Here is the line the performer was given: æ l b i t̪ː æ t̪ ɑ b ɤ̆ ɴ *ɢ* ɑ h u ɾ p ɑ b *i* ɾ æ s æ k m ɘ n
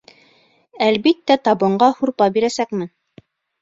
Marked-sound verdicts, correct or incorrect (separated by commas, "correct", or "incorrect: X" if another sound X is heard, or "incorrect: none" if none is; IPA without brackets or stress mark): correct, correct